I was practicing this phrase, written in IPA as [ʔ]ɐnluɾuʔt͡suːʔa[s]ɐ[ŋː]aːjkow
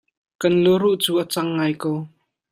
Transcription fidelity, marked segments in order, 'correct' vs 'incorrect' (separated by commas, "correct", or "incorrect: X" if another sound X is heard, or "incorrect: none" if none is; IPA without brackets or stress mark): incorrect: k, incorrect: t͡s, correct